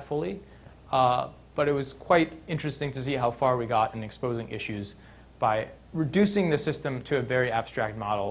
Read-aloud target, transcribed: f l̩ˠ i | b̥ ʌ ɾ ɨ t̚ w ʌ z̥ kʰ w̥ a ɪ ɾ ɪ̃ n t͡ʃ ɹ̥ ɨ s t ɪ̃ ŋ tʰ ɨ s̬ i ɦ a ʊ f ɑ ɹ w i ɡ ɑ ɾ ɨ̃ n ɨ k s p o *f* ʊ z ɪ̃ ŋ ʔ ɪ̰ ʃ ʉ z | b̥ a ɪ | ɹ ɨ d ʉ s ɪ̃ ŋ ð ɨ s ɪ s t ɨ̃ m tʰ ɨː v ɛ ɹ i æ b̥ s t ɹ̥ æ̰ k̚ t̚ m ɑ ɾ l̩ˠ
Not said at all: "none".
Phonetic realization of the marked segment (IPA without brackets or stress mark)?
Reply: none